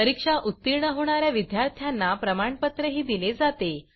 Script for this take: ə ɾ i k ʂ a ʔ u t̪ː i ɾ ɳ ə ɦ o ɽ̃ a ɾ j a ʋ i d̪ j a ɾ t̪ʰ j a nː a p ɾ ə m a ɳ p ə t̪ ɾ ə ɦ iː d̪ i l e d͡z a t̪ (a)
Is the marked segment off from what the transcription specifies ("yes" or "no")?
yes